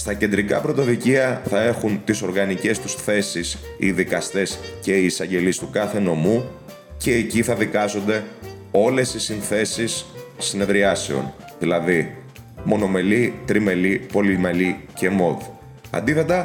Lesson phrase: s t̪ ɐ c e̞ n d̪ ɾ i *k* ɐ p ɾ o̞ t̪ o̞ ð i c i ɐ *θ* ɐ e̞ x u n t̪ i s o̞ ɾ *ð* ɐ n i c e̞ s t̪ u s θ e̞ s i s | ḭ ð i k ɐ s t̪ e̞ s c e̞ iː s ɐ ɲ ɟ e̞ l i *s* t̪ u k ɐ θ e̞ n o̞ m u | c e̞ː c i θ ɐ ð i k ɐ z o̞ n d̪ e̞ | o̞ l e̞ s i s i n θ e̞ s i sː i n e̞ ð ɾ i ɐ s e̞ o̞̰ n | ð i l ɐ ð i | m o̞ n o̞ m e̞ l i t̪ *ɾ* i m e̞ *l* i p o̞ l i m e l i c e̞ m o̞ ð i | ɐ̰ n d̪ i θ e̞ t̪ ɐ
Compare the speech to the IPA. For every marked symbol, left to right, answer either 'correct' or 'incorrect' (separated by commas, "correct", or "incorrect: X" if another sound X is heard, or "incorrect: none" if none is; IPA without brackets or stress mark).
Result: correct, correct, incorrect: ɣ, correct, correct, correct